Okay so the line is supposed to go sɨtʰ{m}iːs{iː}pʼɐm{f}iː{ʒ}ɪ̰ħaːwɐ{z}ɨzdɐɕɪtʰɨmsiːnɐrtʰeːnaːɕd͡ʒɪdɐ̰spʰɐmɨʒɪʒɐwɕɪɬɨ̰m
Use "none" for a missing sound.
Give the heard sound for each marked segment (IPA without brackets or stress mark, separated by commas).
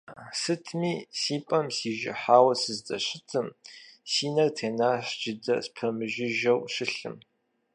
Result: m, iː, s, ʒ, s